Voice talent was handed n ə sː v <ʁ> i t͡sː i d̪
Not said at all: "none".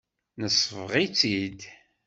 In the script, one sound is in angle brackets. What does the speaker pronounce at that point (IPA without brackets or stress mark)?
ʁ